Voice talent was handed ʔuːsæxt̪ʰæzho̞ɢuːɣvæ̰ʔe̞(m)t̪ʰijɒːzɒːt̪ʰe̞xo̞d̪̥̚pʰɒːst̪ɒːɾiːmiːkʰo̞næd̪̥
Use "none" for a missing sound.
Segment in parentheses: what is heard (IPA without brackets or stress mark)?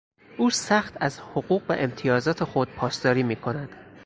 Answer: m